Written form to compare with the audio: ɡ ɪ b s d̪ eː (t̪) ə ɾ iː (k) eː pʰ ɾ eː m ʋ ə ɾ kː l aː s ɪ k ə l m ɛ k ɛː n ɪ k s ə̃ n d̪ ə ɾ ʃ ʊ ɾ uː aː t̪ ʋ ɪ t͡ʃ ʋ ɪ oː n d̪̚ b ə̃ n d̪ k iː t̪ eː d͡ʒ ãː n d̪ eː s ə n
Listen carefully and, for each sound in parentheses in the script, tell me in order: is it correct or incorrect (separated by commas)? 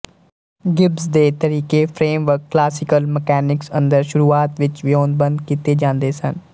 correct, correct